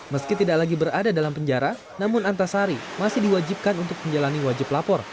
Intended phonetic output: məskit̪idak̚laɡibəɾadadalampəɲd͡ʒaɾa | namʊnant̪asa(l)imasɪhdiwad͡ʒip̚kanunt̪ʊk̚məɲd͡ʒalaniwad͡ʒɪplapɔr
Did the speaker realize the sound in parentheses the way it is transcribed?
no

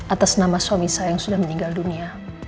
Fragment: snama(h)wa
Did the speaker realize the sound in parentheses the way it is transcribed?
no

